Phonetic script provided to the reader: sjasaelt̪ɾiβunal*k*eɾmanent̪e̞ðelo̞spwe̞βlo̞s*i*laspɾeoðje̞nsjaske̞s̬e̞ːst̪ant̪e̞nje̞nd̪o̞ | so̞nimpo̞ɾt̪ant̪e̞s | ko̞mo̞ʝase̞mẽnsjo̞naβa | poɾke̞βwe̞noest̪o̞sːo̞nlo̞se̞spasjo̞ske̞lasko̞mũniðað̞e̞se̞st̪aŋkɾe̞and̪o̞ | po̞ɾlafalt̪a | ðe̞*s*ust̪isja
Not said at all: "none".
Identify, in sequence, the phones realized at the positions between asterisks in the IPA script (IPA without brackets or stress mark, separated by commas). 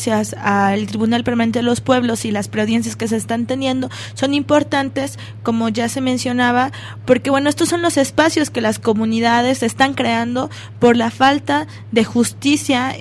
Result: p, i, x